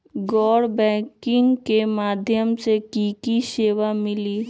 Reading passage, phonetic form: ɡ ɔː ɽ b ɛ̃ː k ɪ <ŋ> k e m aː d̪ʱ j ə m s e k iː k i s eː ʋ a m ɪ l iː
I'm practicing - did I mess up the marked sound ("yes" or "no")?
no